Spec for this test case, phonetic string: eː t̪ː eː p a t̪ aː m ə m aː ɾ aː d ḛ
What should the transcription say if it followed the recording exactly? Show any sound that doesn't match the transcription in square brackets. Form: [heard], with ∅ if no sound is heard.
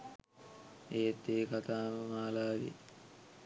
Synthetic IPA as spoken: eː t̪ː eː [k] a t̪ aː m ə m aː [l] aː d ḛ